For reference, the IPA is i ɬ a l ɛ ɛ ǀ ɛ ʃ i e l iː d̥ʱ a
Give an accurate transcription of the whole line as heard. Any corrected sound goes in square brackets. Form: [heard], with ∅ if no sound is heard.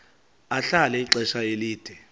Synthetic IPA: [a] ɬ a l ɛ [i] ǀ ɛ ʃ [a] e l iː d̥ʱ [ɛ]